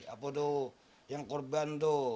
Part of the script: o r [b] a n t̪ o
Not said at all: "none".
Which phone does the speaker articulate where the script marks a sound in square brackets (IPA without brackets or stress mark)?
b